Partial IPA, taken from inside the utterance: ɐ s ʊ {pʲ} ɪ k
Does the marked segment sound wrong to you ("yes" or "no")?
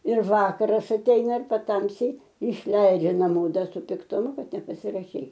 no